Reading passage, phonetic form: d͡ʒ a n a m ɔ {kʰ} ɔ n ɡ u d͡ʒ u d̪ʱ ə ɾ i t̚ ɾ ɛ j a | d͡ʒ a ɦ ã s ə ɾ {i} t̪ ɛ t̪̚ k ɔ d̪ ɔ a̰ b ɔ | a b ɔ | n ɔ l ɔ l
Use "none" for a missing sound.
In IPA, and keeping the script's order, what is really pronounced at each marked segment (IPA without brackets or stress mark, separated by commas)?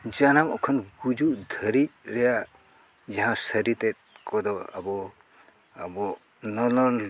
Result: kʰ, i